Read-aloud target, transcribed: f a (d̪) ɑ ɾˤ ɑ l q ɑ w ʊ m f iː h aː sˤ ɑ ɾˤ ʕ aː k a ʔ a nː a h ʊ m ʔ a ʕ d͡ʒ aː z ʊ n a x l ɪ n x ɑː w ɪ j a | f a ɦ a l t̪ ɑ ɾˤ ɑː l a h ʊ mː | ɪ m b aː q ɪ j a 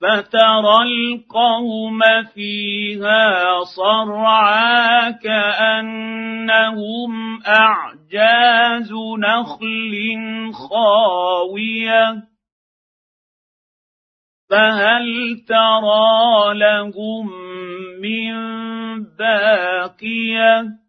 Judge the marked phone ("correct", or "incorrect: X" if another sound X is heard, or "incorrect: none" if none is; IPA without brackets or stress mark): incorrect: t̪